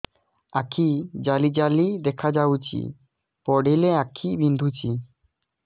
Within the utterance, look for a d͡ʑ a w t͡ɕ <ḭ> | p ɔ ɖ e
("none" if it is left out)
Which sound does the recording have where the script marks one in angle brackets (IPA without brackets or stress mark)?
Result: ḭ